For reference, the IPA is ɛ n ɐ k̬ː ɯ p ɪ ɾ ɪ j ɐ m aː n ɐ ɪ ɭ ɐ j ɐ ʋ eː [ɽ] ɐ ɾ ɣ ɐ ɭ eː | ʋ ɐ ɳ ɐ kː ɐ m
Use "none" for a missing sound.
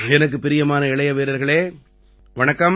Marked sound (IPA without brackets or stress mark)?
ɾ